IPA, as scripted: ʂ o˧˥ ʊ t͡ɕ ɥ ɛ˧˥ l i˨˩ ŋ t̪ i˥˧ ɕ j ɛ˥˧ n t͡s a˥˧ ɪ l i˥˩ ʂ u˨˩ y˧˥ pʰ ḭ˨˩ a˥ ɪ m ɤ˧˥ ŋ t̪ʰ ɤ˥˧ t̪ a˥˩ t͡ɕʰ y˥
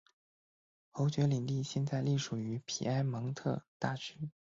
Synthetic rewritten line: x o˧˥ ʊ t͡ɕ ɥ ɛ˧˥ l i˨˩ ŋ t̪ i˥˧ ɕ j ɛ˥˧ n t͡s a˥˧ ɪ l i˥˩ ʂ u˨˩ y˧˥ pʰ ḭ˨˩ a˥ ɪ m ɤ˧˥ ŋ t̪ʰ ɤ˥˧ t̪ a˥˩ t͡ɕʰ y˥